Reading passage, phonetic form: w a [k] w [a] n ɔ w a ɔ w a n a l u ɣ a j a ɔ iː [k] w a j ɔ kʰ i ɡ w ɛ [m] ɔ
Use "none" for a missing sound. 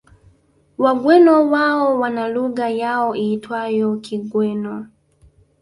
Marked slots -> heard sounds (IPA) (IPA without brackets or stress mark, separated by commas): ɡ, ɛ, t, n